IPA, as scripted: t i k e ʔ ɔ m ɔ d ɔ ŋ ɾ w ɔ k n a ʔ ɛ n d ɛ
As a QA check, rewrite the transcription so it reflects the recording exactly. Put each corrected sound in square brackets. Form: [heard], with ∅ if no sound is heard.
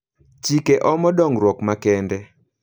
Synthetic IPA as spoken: [t͡ʃ] i k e ʔ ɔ m ɔ d ɔ ŋ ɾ w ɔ k [m] a [k] ɛ n d ɛ

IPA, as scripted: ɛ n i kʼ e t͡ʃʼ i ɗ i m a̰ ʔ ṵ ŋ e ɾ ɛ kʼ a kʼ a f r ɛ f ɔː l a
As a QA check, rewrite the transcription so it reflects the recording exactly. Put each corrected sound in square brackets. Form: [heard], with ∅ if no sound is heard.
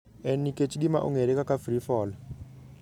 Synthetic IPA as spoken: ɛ n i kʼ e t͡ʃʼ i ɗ i m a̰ ʔ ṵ ŋ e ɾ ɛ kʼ a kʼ a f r [i] f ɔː l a

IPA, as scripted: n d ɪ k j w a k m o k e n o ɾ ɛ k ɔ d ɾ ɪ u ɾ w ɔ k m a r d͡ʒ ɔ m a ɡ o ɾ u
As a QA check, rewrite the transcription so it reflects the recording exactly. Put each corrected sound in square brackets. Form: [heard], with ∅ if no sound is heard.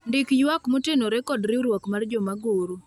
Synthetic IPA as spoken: n d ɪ k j w a k m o [t] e n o ɾ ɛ k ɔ d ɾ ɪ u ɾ w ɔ k m a r d͡ʒ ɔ m a ɡ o ɾ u

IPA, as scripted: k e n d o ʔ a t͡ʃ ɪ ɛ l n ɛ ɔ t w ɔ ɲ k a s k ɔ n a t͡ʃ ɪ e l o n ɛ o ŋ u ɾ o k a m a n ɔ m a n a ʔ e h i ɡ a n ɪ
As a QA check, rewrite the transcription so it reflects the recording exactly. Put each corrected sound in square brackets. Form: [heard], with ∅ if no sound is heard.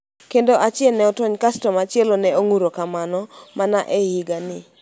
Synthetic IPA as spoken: k e n d o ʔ a t͡ʃ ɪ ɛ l n ɛ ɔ t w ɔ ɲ k a s [t] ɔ [m] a t͡ʃ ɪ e l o n ɛ o ŋ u ɾ o k a m a n ɔ m a n a ʔ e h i ɡ a n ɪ

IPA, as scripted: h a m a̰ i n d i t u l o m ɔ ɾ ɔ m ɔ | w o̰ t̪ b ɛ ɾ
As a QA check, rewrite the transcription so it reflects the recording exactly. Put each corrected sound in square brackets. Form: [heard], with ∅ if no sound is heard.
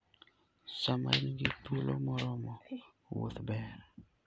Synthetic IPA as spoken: [s] a m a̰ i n [ɡ] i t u l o m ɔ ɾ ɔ m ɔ | w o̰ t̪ b ɛ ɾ

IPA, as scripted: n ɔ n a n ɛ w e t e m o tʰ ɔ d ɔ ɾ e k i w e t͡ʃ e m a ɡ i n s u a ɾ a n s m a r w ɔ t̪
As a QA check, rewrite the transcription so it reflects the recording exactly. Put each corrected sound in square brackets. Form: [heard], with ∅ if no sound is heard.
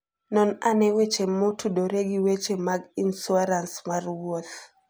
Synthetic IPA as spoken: n ɔ n a n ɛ w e [t͡ʃ] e m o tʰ [u] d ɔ ɾ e [ɡ] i w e t͡ʃ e m a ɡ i n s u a ɾ a n s m a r w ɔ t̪

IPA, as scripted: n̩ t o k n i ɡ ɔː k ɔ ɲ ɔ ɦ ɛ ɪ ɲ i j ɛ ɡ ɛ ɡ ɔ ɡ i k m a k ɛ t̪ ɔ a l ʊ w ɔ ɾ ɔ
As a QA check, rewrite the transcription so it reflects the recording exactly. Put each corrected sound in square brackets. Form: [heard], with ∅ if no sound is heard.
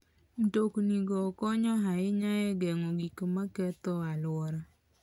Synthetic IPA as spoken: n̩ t o k n i ɡ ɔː k ɔ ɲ ɔ ɦ [a] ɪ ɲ [a] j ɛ ɡ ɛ [ŋ] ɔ ɡ i k m a k ɛ t̪ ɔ a l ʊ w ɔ ɾ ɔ

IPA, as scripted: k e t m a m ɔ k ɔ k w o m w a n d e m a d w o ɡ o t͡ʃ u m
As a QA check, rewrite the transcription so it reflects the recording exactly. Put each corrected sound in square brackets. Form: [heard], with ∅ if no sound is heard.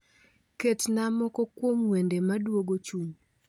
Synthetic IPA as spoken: k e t [n] a m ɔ k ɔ k w o m w [e] n d e m a d w o ɡ o t͡ʃ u [ɲ]

